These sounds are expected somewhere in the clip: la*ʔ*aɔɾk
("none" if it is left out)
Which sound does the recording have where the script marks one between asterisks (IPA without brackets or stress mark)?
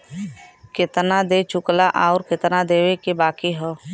ʔ